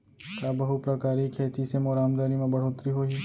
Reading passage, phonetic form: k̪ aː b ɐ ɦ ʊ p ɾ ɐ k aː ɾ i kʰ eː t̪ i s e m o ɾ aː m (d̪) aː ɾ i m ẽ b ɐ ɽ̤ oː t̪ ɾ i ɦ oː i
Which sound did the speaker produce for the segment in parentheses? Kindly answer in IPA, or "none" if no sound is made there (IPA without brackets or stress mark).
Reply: d̪